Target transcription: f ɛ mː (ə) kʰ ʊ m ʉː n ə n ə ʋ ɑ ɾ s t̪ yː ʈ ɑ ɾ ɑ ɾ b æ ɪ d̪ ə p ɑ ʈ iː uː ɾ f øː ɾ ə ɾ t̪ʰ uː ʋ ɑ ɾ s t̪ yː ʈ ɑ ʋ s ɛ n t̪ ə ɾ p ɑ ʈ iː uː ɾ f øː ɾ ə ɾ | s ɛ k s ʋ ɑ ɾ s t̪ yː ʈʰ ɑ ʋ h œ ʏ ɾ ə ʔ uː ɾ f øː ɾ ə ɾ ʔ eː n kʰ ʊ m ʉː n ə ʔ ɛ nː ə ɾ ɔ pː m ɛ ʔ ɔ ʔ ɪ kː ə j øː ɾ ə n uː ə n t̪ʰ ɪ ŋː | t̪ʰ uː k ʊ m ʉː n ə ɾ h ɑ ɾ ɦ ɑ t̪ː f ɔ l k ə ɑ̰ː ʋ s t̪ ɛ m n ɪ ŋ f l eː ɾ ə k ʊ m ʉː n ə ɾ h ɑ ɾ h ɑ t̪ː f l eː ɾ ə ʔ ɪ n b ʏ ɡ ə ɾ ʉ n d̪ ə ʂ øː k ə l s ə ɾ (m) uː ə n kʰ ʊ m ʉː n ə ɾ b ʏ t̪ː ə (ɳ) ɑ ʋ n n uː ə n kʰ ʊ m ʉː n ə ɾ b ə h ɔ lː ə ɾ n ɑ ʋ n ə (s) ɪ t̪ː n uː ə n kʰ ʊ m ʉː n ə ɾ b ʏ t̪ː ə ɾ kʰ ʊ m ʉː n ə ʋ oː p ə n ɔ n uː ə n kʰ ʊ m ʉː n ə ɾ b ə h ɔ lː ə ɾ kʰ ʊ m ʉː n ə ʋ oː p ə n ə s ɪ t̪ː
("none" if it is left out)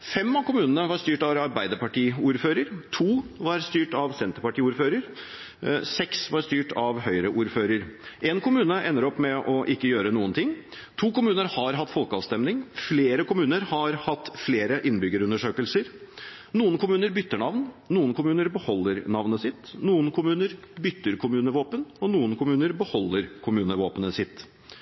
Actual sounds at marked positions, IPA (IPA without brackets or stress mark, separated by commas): ɑ, n, ɳ, s